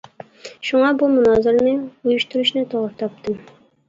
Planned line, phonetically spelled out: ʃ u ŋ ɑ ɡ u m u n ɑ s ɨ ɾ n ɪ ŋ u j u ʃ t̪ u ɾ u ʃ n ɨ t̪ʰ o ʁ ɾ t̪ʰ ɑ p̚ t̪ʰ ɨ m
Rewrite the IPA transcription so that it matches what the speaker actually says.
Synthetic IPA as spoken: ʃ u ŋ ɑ b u m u n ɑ z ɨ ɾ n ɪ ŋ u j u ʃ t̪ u ɾ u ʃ n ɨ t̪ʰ o ʁ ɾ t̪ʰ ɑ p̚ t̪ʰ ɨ m